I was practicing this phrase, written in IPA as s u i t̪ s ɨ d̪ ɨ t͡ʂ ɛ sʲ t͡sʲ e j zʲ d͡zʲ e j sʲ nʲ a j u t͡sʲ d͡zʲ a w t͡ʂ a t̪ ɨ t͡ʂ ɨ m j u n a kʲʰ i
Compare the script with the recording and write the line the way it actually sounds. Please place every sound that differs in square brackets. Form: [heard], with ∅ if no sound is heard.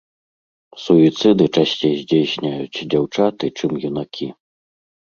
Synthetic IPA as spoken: s u i t̪ s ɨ d̪ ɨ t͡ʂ [a] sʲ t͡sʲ e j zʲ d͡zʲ e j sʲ nʲ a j u t͡sʲ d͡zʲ a w t͡ʂ a t̪ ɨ t͡ʂ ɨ m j u n a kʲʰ i